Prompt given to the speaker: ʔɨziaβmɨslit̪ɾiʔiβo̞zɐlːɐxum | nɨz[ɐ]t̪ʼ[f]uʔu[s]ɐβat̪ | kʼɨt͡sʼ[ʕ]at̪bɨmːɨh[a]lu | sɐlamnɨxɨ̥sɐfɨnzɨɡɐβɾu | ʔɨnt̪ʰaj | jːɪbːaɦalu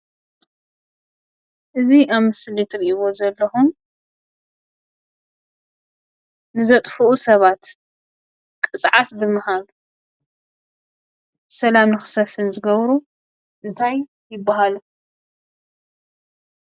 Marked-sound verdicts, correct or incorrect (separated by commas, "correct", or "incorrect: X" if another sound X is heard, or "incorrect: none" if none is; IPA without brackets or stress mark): correct, correct, correct, correct, correct